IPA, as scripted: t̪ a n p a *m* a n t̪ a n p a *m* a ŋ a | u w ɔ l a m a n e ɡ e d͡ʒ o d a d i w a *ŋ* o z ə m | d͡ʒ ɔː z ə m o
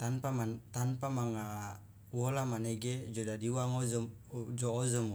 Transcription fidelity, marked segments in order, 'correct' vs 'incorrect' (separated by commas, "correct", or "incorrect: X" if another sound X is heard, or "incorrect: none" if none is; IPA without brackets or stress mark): correct, correct, correct